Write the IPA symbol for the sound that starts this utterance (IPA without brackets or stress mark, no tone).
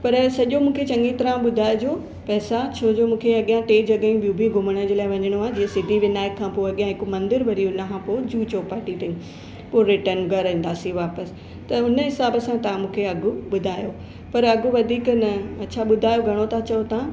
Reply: p